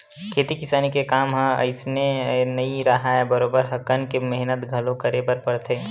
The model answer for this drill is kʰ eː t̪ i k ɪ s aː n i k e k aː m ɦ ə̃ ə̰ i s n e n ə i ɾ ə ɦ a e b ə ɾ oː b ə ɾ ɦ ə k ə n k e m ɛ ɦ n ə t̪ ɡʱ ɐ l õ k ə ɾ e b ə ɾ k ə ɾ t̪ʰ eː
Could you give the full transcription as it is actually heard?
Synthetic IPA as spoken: kʰ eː t̪ i k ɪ s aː n i k e k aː m ɦ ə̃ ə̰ ɪ s n e n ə i ɾ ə ɦ a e b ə ɾ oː b ə ɾ ɦ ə k ə n k e m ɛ ɦ n ə t̪ ɡʱ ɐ l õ k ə ɾ e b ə ɾ p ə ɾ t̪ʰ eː